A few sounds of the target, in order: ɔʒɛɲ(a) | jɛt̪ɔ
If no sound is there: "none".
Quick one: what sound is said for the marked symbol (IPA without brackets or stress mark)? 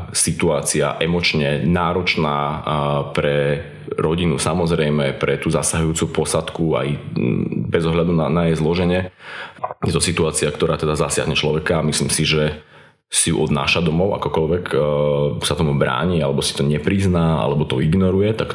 ɛ